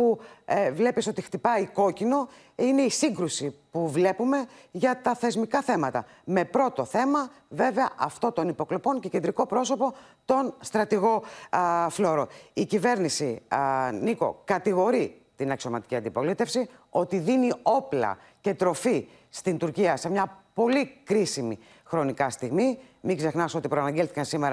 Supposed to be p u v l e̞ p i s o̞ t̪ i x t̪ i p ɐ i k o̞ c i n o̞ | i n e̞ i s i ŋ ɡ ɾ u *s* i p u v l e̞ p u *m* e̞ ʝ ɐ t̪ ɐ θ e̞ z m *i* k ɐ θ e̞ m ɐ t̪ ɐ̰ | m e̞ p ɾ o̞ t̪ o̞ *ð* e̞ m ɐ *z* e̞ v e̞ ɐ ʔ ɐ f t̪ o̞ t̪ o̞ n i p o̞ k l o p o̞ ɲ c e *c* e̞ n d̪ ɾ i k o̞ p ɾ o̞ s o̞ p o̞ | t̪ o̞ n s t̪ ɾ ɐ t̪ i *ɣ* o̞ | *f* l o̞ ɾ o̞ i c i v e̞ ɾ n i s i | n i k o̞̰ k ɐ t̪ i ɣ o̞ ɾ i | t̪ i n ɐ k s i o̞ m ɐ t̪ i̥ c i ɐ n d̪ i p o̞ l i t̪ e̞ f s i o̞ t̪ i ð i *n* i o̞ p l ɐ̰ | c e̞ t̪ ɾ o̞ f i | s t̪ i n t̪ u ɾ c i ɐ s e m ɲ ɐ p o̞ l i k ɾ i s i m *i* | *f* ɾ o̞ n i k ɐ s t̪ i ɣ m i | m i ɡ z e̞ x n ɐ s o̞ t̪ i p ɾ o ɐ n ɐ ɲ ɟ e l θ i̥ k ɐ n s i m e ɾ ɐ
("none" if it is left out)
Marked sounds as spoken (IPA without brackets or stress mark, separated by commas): s, m, i, θ, v, c, ɣ, f, n, i, x